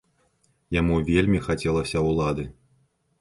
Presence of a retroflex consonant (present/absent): absent